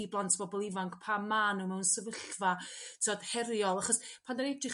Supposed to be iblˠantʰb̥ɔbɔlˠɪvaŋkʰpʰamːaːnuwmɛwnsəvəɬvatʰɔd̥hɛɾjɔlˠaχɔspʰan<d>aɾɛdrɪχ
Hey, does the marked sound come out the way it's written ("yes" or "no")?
yes